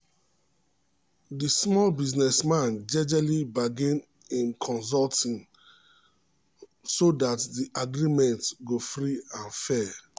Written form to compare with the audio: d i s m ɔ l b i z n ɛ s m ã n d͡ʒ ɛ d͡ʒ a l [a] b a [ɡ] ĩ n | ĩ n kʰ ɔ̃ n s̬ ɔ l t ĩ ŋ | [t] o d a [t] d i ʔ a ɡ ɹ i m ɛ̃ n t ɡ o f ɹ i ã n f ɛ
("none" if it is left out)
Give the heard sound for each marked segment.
i, ɡ, s, t

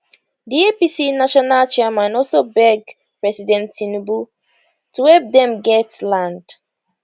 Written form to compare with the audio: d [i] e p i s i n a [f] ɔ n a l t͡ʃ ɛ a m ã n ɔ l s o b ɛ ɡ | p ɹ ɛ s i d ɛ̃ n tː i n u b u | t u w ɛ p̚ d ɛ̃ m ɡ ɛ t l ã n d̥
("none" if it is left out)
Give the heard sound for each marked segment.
i, ʃ

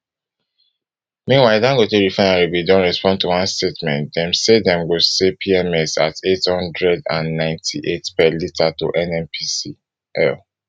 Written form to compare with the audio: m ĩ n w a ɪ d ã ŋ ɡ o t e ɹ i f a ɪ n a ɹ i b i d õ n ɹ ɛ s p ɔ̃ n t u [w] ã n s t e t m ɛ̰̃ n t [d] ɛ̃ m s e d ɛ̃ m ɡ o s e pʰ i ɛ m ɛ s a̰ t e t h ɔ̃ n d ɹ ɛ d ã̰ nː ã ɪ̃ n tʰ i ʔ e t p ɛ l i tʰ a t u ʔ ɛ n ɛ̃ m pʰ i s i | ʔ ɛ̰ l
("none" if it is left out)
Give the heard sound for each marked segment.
w, d

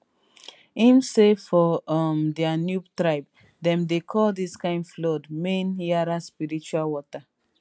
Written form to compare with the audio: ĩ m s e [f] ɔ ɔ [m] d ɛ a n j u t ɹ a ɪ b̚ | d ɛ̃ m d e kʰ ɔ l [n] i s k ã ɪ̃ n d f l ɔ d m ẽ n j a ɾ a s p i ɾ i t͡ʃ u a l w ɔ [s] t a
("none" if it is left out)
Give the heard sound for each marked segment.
f, m, d, none

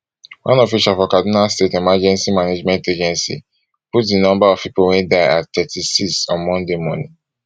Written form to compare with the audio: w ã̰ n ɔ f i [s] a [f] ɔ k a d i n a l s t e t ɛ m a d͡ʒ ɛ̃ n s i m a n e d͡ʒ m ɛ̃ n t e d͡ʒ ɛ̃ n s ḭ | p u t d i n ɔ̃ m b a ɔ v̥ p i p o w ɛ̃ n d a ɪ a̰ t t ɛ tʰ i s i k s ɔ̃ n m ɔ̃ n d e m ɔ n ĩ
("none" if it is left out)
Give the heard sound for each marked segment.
ʃ, f

